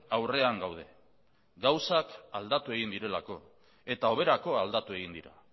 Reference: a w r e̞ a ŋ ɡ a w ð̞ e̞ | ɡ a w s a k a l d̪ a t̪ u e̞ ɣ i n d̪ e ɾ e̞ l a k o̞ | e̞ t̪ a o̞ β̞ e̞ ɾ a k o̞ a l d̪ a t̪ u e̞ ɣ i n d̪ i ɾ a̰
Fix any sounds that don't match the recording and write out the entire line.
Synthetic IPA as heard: a w r e̞ a ŋ ɡ a w ð̞ e̞ | ɡ a w s a k a l d̪ a t̪ u e̞ ɣ i n d̪ i ɾ e̞ l a k o̞ | e̞ t̪ a o̞ β̞ e̞ ɾ a k o̞ a l d̪ a t̪ u e̞ ɣ i n d̪ i ɾ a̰